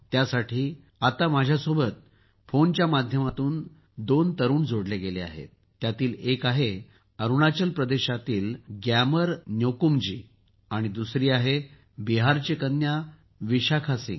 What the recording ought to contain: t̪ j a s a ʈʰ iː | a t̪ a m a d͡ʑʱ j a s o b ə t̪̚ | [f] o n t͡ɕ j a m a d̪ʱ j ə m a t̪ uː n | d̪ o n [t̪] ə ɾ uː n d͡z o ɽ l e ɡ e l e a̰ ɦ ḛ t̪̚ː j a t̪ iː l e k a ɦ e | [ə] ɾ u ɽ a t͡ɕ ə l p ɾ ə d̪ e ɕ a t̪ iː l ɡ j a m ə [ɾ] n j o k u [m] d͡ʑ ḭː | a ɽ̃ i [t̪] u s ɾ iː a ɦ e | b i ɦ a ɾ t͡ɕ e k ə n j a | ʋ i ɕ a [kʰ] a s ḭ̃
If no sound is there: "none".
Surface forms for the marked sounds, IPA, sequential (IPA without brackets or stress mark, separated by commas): f, t̪, ə, ɾ, m, d̪, kʰ